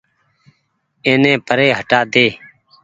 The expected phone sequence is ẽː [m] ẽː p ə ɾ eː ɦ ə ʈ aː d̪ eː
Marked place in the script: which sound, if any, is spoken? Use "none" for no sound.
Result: n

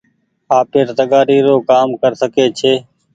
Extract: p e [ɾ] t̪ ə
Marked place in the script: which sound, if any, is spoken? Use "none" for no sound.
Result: ɾ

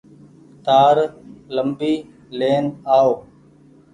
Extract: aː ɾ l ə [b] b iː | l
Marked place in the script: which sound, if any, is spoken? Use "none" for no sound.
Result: m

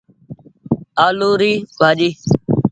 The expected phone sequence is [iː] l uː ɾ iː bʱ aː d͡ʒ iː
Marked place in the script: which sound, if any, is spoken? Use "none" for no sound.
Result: aː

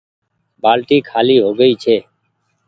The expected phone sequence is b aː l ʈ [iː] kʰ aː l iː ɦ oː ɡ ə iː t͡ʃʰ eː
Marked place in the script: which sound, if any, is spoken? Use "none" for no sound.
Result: iː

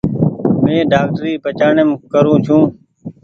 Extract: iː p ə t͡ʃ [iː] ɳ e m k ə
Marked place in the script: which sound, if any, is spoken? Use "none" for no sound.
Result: aː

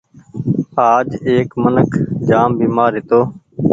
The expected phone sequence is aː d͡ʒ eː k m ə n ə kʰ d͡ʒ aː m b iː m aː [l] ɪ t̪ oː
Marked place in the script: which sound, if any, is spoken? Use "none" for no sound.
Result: ɾ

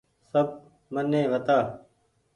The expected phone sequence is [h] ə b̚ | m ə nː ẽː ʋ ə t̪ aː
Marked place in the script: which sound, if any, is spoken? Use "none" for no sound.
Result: s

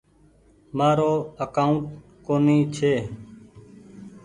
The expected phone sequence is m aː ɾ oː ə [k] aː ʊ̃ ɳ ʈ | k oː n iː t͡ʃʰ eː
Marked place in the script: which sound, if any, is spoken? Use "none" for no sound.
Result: k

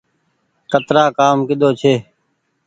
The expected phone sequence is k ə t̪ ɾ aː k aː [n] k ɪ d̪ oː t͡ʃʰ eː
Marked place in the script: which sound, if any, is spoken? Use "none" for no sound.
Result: m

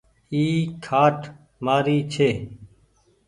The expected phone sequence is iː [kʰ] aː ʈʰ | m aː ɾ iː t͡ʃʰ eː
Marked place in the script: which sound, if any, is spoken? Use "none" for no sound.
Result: kʰ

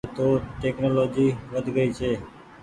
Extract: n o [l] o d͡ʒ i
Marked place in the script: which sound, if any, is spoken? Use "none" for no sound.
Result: l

